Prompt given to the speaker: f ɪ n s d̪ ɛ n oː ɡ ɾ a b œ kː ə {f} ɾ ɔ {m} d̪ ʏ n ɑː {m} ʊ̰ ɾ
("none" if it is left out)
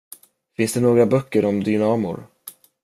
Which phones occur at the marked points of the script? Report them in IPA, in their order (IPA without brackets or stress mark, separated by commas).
none, m, m